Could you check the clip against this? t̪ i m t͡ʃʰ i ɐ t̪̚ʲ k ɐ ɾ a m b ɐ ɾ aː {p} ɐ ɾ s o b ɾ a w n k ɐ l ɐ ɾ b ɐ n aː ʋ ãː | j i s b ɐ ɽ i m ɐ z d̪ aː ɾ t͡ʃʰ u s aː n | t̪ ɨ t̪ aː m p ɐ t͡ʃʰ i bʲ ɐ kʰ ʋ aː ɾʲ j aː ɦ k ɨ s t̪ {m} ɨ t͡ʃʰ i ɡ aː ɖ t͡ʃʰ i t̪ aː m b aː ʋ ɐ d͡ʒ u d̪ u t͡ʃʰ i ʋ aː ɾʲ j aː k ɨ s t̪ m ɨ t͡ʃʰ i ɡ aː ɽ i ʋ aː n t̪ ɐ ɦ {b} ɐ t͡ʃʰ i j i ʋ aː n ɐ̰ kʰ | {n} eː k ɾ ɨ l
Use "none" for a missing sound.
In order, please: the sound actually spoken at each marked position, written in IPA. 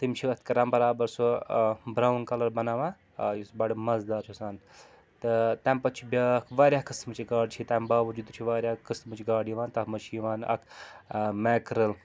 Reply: b, m, m, m

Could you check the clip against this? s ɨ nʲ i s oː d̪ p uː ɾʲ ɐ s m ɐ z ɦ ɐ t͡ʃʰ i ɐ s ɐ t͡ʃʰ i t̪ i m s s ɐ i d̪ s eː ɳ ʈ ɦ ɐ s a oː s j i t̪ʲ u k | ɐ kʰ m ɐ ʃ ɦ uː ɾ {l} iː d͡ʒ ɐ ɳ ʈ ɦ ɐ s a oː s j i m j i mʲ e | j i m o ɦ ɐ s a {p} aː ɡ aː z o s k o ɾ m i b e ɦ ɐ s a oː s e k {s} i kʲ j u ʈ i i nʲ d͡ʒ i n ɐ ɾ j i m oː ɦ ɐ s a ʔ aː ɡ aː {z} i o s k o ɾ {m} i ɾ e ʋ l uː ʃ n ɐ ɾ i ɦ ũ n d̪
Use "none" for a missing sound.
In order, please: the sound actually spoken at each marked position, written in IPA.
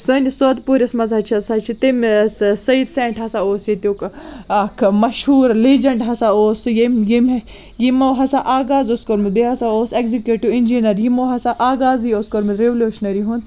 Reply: l, ʔ, z, z, m

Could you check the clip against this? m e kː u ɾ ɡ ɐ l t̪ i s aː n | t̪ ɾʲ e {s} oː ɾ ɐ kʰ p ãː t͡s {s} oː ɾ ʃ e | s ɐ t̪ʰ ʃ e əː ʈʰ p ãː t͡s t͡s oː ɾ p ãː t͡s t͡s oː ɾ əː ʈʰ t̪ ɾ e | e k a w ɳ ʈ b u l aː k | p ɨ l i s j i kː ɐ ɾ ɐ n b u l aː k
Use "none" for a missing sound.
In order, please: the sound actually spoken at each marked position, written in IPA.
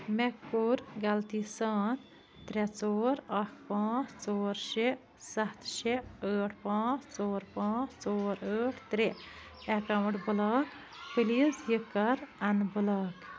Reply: t͡s, t͡s

